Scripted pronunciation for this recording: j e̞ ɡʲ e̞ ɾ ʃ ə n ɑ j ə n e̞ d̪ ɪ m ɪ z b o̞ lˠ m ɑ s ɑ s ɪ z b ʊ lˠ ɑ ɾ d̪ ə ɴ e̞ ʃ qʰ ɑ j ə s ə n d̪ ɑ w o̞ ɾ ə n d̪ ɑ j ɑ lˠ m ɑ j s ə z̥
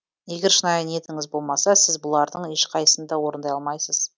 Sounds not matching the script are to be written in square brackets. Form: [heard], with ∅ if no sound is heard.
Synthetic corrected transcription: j e̞ ɡʲ e̞ ɾ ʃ ə n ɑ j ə n e̞ [t̪] ɪ [ŋ] ɪ z b o̞ lˠ m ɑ s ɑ s ɪ z b ʊ lˠ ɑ ɾ d̪ ə ɴ e̞ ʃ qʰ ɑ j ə s ə n d̪ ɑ w o̞ ɾ ə n d̪ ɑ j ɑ lˠ m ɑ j s ə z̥